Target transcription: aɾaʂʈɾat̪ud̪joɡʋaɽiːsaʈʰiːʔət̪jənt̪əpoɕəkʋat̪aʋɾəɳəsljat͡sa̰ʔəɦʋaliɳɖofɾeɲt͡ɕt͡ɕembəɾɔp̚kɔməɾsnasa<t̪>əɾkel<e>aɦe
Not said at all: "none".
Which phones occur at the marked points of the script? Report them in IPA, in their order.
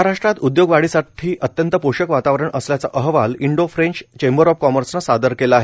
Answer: d̪, a

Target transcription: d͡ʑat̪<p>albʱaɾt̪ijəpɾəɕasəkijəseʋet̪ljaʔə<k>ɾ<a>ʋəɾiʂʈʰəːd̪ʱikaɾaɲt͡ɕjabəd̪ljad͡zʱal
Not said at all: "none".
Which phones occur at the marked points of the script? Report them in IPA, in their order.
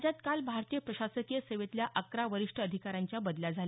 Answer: k, k, a

